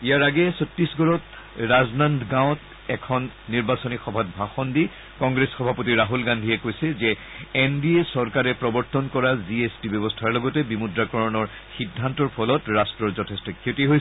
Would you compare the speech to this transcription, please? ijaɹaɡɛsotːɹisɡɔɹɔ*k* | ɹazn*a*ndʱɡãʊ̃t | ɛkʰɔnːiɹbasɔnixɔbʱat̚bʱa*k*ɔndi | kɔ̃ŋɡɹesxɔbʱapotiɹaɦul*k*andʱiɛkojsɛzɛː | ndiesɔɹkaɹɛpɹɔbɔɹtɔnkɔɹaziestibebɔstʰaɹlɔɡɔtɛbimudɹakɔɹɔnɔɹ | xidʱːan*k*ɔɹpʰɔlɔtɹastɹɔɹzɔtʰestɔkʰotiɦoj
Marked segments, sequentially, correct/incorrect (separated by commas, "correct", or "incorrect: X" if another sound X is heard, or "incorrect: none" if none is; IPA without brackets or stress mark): incorrect: t, correct, incorrect: x, incorrect: ɡ, incorrect: t